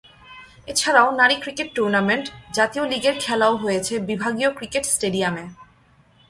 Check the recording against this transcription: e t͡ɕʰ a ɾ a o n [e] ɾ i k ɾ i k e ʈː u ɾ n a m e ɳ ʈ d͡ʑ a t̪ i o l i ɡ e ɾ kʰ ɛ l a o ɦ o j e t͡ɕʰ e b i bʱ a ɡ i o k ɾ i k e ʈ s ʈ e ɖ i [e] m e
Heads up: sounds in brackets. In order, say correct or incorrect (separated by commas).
incorrect, incorrect